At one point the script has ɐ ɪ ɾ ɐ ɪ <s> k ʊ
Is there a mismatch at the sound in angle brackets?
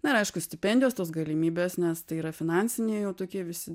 yes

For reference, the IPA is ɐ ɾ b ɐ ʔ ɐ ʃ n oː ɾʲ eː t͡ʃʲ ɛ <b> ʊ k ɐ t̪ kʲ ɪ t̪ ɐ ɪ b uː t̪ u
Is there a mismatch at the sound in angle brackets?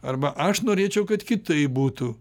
yes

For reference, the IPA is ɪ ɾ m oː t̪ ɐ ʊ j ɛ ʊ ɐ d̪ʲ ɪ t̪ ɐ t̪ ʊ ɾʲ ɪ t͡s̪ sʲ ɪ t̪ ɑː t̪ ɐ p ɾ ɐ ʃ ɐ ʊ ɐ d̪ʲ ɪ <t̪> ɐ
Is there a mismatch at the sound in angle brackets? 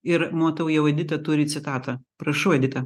no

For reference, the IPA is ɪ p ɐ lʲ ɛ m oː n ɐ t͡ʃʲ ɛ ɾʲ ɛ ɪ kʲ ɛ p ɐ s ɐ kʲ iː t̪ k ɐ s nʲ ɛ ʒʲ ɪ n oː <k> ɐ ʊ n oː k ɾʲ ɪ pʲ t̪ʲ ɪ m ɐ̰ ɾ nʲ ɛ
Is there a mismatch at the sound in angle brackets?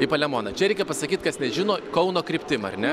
no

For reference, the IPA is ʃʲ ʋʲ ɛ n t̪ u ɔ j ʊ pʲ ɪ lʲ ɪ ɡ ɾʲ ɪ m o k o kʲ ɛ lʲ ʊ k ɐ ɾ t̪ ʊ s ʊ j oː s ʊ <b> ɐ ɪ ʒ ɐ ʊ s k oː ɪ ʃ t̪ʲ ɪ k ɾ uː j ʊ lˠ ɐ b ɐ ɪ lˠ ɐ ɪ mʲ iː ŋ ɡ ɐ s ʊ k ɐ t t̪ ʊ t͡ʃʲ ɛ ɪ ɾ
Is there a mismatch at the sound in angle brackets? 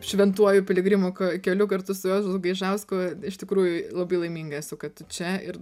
yes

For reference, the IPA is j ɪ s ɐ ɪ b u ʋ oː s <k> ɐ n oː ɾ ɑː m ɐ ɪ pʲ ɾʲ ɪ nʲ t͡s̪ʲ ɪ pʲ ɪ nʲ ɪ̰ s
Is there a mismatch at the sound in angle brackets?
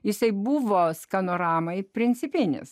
no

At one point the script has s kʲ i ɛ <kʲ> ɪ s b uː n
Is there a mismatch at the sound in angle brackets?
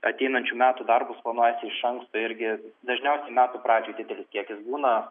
no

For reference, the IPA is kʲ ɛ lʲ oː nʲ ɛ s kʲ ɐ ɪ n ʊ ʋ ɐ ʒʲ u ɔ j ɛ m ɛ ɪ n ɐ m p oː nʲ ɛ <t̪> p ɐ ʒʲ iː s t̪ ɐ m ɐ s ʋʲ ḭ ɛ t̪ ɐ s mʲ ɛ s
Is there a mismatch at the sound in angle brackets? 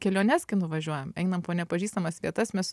yes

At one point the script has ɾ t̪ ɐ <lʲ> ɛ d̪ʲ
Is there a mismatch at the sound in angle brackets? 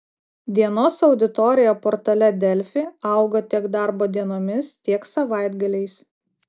no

